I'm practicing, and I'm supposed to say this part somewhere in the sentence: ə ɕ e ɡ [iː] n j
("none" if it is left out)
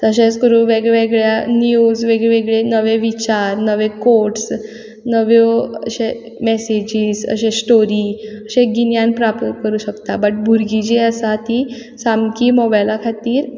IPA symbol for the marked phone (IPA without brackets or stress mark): i